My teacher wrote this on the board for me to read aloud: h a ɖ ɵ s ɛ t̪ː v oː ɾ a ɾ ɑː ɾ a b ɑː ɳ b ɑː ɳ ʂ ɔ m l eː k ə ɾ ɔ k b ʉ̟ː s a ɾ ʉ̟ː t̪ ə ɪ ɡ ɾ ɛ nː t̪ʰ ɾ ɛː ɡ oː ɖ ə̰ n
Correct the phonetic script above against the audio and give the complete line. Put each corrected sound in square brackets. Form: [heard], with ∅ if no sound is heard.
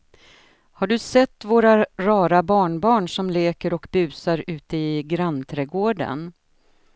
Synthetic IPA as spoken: h a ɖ ɵ s ɛ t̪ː v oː ɾ a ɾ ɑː ɾ a b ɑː ɳ b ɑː ɳ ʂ ɔ m l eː k ə ɾ ɔ k b ʉ̟ː s a ɾ ʉ̟ː t̪ ə ɪ ɡ ɾ [a] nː t̪ʰ ɾ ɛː ɡ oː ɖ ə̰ n

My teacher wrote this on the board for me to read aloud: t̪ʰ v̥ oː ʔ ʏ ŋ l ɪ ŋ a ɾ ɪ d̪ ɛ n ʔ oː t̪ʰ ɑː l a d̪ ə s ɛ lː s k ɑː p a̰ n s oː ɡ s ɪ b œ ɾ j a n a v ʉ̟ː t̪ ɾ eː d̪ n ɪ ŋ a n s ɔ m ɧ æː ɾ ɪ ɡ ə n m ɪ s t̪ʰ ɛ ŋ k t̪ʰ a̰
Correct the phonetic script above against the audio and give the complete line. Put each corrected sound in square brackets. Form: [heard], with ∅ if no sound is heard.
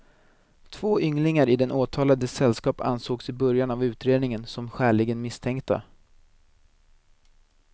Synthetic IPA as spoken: t̪ʰ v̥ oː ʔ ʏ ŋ l ɪ ŋ a ɾ ɪ d̪ ɛ n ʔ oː t̪ʰ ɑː l a d̪ ə s ɛ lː s k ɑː p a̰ n s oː ɡ s ɪ b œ ɾ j a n a v ʉ̟ː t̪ ɾ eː d̪ n ɪ ŋ [ə] n s ɔ m ɧ æː [ɭ] ɪ ɡ ə n m ɪ s t̪ʰ ɛ ŋ k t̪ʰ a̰

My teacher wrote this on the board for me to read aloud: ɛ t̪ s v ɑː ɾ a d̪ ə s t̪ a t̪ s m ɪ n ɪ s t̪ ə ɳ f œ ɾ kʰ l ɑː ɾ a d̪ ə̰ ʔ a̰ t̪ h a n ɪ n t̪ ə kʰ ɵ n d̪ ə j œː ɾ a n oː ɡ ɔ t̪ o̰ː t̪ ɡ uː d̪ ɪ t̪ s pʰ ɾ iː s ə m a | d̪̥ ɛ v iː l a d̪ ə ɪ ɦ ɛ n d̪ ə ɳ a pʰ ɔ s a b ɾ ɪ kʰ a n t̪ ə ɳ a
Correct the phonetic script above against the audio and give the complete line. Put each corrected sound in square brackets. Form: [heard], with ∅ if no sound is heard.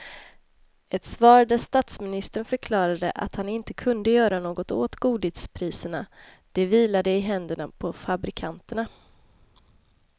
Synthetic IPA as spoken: ɛ t̪ s v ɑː ɾ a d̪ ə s t̪ a t̪ s m ɪ n ɪ s t̪ ə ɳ f œ ɾ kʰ l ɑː ɾ a d̪ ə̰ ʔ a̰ t̪ h a n ɪ n t̪ ə kʰ ɵ n d̪ ə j œː ɾ a n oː ɡ ɔ t̪ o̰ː t̪ ɡ uː d̪ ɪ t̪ s pʰ ɾ iː s ə [ɳ] a | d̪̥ ɛ v iː l a d̪ ə ɪ ɦ ɛ n d̪ ə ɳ a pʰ ɔ [f] a b ɾ ɪ kʰ a n t̪ ə ɳ a

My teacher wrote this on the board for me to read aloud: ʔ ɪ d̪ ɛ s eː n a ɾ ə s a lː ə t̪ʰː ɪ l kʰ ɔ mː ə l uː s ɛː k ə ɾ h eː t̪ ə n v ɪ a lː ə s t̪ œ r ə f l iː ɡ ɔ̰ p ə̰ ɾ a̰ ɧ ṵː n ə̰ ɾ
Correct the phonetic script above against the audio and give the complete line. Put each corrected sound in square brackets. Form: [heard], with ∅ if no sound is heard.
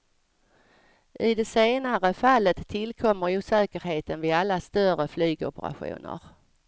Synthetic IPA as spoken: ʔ ɪ d̪ ɛ s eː n a ɾ ə [f] a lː ə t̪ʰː ɪ l kʰ ɔ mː ə [ɾ] uː s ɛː k ə ɾ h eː t̪ ə n v ɪ a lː [a] s t̪ œ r ə f l [yː] ɡ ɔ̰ p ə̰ ɾ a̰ ɧ ṵː n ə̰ ɾ

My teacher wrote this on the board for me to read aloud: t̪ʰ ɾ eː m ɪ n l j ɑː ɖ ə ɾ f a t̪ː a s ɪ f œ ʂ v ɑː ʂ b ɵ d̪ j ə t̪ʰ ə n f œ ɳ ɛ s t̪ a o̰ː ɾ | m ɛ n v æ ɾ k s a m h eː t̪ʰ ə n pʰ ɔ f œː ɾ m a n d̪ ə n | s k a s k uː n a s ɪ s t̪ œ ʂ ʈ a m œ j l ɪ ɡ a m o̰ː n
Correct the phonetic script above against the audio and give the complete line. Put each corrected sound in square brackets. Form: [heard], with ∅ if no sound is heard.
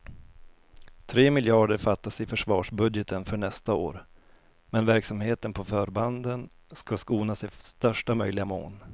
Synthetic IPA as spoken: t̪ʰ ɾ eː m ɪ [∅] l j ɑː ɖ ə ɾ f a t̪ː a s ɪ f œ ʂ v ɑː ʂ b ɵ d̪ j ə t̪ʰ ə n f œ ɳ ɛ s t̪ a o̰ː ɾ | m ɛ n v æ ɾ k s a m h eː [t̪] ə n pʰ ɔ f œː ɾ [b] a n d̪ ə n | s k a s k uː n a s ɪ s t̪ œ ʂ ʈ a m œ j l ɪ ɡ a m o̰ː n

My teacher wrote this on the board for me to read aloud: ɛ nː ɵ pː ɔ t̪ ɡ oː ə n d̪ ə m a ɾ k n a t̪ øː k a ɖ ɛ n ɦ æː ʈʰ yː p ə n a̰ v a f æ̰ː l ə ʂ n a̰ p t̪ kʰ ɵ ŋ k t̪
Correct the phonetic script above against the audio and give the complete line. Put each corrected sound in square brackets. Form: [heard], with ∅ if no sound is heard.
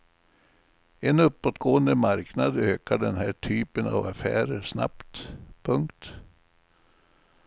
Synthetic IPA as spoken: ɛ [n] ɵ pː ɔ t̪ ɡ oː ə n d̪ ə m a ɾ k n a [d̪] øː k a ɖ ɛ n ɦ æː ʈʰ yː p ə n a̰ v a f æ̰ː [ɾ] ə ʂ n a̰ p t̪ [pʰ] ɵ ŋ k t̪

